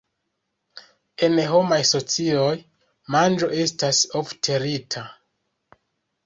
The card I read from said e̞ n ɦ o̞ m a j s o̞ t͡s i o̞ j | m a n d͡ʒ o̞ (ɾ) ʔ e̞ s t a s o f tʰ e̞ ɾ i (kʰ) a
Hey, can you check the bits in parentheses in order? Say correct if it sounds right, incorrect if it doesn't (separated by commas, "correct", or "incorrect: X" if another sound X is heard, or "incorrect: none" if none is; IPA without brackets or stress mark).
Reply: incorrect: none, incorrect: tʰ